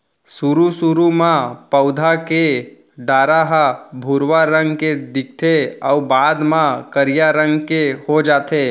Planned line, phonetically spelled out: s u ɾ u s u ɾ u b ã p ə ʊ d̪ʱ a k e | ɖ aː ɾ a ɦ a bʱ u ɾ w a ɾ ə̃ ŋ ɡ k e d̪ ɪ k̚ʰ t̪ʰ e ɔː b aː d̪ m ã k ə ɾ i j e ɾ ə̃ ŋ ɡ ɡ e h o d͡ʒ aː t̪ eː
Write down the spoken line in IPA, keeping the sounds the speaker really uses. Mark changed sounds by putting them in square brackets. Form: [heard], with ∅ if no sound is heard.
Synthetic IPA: s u ɾ u s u ɾ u [m] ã p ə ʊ d̪ʱ a k e | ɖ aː ɾ a ɦ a bʱ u ɾ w a ɾ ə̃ ŋ ɡ k e d̪ ɪ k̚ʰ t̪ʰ e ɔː b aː d̪ m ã k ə ɾ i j [a] ɾ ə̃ ŋ ɡ [k] e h o d͡ʒ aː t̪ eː